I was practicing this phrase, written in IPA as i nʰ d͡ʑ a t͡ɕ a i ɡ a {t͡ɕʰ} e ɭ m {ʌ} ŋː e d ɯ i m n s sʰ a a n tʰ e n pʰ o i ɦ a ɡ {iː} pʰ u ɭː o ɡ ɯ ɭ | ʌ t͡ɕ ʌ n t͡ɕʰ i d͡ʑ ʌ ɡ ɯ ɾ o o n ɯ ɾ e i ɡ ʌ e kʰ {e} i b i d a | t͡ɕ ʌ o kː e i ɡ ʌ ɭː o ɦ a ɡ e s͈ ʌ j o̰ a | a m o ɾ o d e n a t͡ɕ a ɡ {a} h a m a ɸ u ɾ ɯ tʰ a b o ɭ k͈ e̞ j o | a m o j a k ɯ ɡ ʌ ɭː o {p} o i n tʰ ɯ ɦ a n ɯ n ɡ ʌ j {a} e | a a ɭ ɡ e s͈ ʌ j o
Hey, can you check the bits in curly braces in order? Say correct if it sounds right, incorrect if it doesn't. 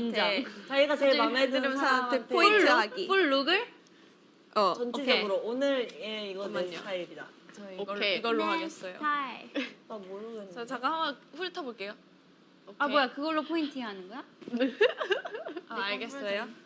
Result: incorrect: t͡ɕ, incorrect: a, incorrect: i, incorrect: a, correct, incorrect: pʰ, correct

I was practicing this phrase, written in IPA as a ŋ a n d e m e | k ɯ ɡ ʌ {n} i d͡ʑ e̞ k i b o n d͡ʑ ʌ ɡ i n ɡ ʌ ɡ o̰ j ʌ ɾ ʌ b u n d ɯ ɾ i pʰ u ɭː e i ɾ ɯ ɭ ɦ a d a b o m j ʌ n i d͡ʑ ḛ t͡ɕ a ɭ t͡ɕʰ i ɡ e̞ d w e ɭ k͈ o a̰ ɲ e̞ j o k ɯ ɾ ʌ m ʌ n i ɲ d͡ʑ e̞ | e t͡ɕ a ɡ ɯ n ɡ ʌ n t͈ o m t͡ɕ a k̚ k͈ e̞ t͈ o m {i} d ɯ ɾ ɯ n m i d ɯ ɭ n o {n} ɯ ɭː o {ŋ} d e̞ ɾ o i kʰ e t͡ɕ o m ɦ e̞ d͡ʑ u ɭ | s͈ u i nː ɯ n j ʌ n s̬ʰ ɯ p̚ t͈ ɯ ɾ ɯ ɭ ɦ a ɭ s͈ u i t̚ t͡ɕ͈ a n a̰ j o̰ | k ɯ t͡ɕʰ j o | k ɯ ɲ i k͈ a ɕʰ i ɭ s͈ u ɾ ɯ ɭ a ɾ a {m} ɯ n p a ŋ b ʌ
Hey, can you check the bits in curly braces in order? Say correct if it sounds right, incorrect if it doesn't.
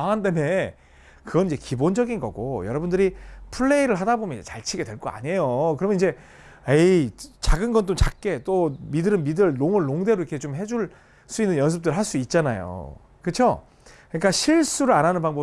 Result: correct, correct, incorrect: ŋ, correct, incorrect: n

